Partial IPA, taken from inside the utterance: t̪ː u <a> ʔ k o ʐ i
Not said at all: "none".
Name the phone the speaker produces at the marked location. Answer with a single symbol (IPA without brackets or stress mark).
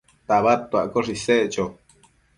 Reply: a